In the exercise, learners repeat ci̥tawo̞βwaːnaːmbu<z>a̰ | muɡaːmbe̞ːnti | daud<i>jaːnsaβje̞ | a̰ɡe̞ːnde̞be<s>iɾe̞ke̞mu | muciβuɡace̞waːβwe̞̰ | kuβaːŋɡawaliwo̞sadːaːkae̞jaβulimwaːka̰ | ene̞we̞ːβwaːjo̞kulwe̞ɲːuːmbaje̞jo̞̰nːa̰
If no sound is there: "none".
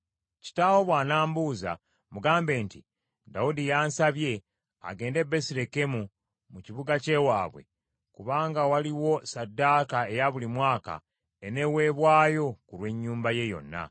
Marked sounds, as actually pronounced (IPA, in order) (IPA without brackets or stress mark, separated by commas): z, i, s